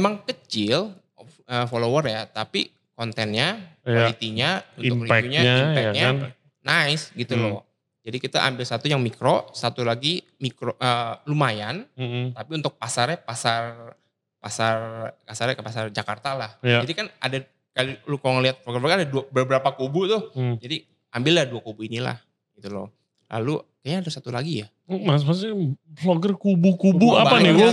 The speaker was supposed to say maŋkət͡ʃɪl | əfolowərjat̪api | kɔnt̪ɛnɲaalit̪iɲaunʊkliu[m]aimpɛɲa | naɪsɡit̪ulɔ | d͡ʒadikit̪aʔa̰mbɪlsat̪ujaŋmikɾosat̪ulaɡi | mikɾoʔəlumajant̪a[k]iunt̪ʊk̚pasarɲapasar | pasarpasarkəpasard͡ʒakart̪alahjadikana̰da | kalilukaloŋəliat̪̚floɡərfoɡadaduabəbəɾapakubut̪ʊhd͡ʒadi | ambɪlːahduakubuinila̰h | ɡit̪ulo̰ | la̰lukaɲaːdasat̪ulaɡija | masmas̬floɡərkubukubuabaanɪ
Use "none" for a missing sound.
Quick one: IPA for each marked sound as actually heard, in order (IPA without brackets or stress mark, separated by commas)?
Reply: ɲ, p